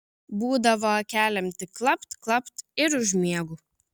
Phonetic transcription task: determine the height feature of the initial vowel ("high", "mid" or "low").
high